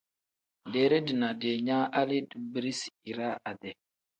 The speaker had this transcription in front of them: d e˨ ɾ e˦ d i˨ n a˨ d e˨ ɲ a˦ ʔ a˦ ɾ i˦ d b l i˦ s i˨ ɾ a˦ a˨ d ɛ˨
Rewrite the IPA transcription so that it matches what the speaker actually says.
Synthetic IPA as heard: d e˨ ɾ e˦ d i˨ n a˨ d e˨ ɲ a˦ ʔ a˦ l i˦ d b ɾ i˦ s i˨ ɾ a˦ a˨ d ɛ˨